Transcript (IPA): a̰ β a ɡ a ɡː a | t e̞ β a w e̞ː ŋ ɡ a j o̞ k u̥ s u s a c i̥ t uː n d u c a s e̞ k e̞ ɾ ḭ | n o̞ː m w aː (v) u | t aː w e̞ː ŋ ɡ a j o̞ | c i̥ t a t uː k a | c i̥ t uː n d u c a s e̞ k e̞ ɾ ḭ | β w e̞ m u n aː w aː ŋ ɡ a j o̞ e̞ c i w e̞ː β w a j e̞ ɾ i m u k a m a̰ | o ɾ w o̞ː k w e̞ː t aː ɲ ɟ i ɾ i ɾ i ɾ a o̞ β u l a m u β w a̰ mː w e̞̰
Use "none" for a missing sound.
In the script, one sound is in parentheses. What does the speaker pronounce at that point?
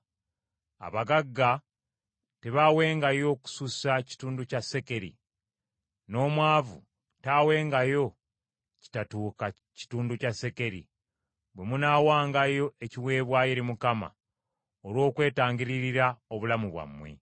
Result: v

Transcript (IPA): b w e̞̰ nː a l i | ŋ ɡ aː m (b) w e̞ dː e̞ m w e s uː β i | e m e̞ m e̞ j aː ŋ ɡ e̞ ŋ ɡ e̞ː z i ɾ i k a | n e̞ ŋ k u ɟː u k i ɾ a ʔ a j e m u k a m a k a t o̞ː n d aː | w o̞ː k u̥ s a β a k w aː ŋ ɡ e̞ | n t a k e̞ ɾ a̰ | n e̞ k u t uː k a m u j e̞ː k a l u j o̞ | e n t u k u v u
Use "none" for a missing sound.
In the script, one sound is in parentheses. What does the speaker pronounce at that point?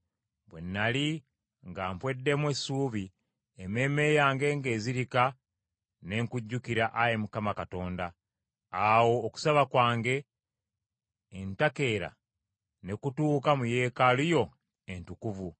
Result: p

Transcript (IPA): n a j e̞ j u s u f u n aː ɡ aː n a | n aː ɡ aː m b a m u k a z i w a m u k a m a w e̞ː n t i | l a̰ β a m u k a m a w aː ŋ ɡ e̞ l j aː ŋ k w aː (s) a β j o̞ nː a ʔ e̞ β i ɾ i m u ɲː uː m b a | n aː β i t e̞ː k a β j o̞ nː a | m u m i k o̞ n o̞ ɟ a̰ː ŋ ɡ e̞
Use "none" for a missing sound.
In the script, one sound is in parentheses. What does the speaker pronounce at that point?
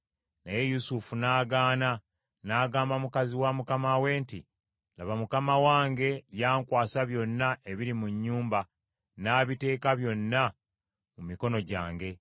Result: s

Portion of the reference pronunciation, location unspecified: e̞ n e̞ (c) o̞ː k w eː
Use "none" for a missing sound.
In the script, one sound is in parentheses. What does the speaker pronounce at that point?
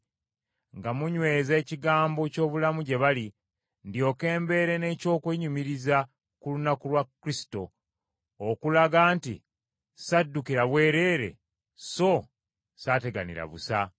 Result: c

